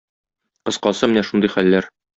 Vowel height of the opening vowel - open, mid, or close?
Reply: mid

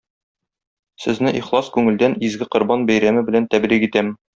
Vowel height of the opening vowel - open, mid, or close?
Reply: mid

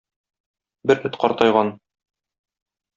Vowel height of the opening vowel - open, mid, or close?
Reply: mid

